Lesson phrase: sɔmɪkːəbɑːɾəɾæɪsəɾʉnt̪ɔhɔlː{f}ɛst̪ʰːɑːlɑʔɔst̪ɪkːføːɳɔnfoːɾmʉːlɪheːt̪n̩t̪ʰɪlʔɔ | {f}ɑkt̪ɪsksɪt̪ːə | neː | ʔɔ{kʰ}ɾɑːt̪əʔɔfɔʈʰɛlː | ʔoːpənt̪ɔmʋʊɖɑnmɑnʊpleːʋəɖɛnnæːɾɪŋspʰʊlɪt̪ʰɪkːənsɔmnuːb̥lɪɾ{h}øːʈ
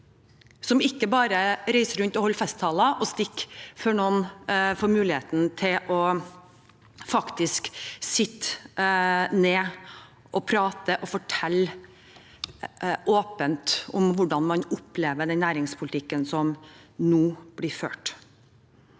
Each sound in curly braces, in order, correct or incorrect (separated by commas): correct, correct, incorrect, incorrect